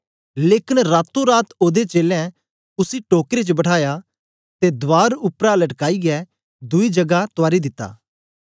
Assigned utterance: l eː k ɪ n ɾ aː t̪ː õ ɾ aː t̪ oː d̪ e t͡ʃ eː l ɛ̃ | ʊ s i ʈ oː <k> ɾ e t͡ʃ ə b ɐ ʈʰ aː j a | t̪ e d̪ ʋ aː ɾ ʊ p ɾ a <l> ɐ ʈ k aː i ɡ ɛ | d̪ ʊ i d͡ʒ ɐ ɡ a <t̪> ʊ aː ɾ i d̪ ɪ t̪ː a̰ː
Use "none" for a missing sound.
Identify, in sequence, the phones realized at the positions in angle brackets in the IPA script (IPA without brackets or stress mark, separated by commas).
k, l, t̪